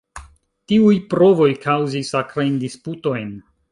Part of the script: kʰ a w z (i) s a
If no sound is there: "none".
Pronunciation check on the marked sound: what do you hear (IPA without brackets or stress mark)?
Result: i